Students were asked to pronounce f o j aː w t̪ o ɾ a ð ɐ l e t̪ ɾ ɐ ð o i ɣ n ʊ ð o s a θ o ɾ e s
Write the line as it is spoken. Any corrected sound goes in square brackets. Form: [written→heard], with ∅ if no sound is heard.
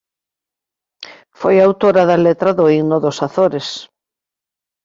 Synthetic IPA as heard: f o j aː w t̪ o ɾ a ð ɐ l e t̪ ɾ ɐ ð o i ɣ n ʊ ð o s a θ o ɾ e s

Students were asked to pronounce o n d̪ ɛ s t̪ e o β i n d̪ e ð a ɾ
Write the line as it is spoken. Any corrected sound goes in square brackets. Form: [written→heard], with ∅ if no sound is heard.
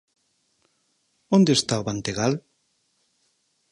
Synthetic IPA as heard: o n d̪ [ɛ→e] s t̪ [e→a] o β [i→a] n [d̪→t̪] e [ð→ɣ] a [ɾ→l]

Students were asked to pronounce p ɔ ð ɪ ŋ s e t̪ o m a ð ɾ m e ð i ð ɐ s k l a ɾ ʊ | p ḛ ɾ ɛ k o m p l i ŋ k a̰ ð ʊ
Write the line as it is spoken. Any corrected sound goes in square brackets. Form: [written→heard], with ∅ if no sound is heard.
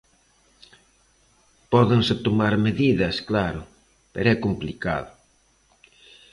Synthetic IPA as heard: p ɔ ð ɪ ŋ s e t̪ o m a [ð→∅] ɾ m e ð i ð ɐ s k l a ɾ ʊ | p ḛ ɾ ɛ k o m p l i [ŋ→∅] k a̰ ð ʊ

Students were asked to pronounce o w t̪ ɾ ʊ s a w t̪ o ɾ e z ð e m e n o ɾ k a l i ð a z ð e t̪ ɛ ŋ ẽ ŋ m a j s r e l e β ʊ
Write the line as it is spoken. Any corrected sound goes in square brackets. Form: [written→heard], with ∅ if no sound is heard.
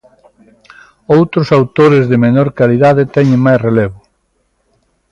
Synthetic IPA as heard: o w t̪ ɾ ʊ s a w t̪ o ɾ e z ð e m e n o ɾ k a l i ð a [z→∅] ð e t̪ ɛ [ŋ→ɲ] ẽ ŋ m a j s r e l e β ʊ

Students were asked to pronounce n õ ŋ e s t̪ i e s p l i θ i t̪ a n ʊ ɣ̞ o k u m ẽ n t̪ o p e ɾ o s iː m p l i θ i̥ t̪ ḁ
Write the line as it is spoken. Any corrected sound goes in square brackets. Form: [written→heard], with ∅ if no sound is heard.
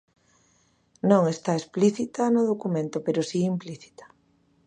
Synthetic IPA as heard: n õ ŋ e s t̪ [i→a] e s p l i θ i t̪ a n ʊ [ɣ̞→ð̞] o k u m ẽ n t̪ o p e ɾ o s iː m p l i θ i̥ t̪ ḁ

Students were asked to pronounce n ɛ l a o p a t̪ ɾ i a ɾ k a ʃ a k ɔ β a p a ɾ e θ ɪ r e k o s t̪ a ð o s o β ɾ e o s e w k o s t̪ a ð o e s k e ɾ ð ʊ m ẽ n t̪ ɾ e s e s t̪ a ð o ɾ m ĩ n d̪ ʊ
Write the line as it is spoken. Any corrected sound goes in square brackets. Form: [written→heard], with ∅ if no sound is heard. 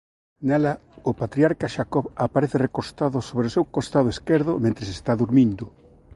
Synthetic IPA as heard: n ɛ l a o p a t̪ ɾ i a ɾ k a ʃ a k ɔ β a p a ɾ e θ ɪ r e k o s t̪ a ð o s o β ɾ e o s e w k o s t̪ a ð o e s k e ɾ ð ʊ m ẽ n t̪ ɾ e s e s t̪ a ð [o→u] ɾ m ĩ n d̪ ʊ

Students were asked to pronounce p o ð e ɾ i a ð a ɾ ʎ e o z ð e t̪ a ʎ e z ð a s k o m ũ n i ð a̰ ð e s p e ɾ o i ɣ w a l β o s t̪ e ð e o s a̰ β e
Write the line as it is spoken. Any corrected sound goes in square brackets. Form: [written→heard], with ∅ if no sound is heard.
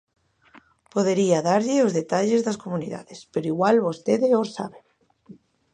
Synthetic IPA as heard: p o ð e ɾ i a ð a ɾ ʎ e o z ð e t̪ a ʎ e z ð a s k o m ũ n i ð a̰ ð e s p e ɾ o i ɣ w a l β o s t̪ e ð e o s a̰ β e

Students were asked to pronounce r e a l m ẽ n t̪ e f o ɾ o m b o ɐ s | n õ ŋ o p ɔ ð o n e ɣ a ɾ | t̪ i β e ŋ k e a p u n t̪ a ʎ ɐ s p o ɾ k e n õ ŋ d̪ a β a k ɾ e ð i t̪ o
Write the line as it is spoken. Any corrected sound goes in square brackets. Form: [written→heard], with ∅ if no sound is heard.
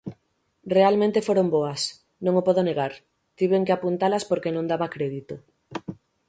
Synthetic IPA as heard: r e a l m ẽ n t̪ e f o ɾ o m b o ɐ s | n õ ŋ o p ɔ ð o n e ɣ a ɾ | t̪ i β e ŋ k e a p u n t̪ a [ʎ→l] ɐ s p o ɾ k e n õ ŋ d̪ a β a k ɾ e ð i t̪ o

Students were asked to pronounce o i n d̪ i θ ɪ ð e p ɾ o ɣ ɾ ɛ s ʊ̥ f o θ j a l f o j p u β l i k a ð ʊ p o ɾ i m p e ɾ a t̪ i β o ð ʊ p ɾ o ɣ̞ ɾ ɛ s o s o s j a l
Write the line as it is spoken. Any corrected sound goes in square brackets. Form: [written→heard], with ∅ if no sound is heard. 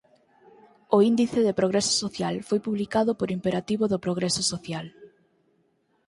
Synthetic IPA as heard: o i n d̪ i θ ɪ ð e p ɾ o ɣ ɾ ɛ s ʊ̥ [f→s] o θ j a l f o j p u β l i k a ð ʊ p o ɾ i m p e ɾ a t̪ i β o ð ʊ p ɾ o ɣ̞ ɾ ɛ s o s o [s→θ] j a l

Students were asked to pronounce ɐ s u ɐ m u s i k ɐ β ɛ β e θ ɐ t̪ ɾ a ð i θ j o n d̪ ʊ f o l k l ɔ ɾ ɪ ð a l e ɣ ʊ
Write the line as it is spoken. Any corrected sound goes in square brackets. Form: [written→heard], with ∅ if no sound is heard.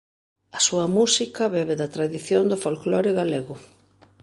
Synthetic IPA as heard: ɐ s u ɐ m u s i k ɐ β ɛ β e [θ→ð] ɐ t̪ ɾ a ð i θ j o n d̪ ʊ f o l k l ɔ ɾ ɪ [ð→ɣ] a l e ɣ ʊ

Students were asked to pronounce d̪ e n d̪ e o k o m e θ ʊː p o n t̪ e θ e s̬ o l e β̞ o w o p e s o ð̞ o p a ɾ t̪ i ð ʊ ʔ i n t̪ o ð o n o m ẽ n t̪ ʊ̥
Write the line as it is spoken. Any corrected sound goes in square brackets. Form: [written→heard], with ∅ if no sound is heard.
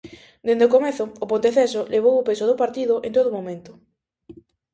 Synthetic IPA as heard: d̪ e n d̪ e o k o m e θ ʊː p o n t̪ e θ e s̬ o l e β̞ o w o p e s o ð̞ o p a ɾ t̪ i ð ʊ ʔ [i→e] n t̪ o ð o [n→m] o m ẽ n t̪ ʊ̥

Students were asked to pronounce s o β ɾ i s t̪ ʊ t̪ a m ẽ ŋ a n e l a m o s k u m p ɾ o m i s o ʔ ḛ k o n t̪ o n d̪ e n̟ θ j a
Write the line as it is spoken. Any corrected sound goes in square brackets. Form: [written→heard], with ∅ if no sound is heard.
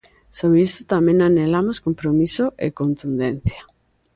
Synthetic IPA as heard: s o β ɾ i s t̪ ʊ t̪ a m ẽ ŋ a n e l a m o s k [u→o] m p ɾ o m i s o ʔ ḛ k o n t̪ [o→u] n d̪ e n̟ θ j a

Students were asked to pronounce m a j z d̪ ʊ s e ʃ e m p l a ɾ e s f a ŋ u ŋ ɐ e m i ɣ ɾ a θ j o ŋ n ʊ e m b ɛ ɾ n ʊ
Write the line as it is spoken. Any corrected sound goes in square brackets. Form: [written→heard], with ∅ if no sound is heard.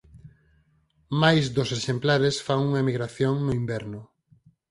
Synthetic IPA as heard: m a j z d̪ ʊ s e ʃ e m p l a ɾ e s f a ŋ u ŋ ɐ e m i ɣ ɾ a θ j o ŋ n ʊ [e→i] m b ɛ ɾ n ʊ

